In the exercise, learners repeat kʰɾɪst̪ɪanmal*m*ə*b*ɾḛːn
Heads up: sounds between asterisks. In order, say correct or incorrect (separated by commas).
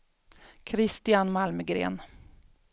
correct, incorrect